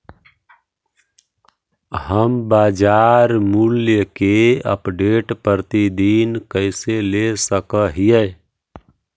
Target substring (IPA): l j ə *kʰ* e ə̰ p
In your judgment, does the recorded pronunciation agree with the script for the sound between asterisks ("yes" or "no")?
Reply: no